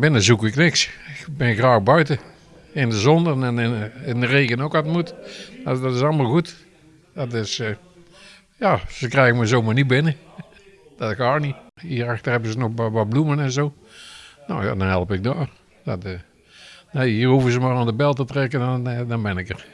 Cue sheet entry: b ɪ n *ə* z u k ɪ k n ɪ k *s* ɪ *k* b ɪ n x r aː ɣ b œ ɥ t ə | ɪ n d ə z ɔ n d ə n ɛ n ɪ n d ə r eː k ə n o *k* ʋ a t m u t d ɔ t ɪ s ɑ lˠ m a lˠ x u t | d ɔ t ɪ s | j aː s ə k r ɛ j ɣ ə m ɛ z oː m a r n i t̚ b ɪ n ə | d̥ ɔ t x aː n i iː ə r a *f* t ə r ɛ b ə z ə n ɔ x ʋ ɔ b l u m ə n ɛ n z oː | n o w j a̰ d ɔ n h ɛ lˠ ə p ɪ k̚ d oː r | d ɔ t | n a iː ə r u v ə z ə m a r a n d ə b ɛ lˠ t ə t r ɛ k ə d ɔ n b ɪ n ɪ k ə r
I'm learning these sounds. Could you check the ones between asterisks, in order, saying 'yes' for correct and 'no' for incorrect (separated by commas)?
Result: yes, yes, yes, yes, no